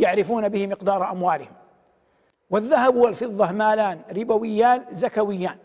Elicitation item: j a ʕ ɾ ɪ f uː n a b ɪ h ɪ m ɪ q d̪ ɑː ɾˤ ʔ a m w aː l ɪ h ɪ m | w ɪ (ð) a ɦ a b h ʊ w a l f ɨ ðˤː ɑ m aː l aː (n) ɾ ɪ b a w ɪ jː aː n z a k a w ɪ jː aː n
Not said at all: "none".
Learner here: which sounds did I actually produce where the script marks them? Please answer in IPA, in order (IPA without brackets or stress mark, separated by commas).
ðː, n